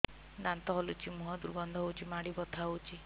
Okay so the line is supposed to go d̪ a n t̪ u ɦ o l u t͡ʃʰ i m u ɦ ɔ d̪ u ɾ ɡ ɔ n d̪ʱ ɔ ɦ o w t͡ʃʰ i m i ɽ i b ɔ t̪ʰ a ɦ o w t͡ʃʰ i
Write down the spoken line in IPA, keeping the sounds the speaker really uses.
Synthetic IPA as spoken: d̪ a n t̪ ɔ ɦ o l u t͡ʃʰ i m u ɦ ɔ d̪ u ɾ ɡ ɔ n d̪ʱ ɔ ɦ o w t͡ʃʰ i m a ɽ i b ɔ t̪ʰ a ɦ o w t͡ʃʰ i